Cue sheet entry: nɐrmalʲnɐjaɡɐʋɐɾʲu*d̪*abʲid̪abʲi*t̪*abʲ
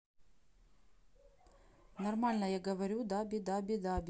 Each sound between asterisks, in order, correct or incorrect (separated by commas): correct, incorrect